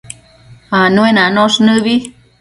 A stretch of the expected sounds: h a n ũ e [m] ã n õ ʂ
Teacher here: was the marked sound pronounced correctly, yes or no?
no